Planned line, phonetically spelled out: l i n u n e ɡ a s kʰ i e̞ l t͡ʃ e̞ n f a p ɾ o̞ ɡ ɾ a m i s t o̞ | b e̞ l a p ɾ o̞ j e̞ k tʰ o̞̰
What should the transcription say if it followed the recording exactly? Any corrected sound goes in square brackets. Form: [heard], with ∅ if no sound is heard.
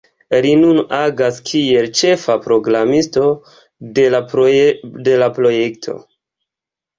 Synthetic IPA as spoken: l i n u n [a] ɡ a s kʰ i e̞ l t͡ʃ e̞ [∅] f a p ɾ o̞ ɡ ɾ a m i s t o̞ | [d] e̞ l a p ɾ o̞ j e̞ k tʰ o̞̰